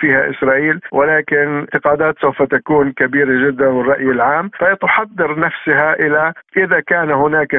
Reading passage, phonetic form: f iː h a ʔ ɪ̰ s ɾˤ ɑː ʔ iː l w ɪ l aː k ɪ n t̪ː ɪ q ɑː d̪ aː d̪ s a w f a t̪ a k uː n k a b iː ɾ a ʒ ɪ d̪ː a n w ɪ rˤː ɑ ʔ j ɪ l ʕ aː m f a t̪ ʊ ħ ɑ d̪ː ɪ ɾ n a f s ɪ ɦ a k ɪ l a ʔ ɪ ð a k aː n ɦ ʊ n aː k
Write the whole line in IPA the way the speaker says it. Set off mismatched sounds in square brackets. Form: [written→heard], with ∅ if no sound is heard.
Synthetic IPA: f iː h a ʔ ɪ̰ s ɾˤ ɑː ʔ iː l w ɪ l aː k ɪ n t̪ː ɪ q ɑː d̪ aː [d̪→t̪] s a w f a t̪ a k uː n k a b iː ɾ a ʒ ɪ d̪ː a n w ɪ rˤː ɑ ʔ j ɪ l ʕ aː m f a t̪ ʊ ħ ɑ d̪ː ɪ ɾ n a f s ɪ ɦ a [k→ʔ] ɪ l a ʔ ɪ ð a k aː n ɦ ʊ n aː k